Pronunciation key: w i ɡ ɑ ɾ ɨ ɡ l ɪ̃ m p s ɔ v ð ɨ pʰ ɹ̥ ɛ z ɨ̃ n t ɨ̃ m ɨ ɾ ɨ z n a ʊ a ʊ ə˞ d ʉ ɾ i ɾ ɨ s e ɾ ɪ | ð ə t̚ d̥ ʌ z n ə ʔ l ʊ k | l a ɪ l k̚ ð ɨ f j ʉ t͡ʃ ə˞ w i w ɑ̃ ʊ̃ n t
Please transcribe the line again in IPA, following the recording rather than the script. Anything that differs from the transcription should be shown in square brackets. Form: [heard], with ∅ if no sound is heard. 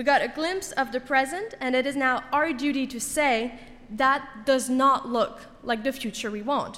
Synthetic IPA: w i ɡ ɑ ɾ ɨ ɡ l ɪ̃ m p s [ʌ] v ð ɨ pʰ ɹ̥ ɛ z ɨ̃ n t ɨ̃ [n] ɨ ɾ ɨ z n a ʊ a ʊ ə˞ d ʉ ɾ i ɾ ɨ s e [∅] ɪ | ð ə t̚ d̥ ʌ z n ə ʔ l ʊ k | l a ɪ [∅] k̚ ð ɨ f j ʉ t͡ʃ ə˞ w i w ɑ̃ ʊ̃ n t